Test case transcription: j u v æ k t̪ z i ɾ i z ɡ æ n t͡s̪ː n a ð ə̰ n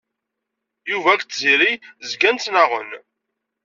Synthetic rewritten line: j u v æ k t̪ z i ɾ i z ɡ æ n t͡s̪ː n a ʁ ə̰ n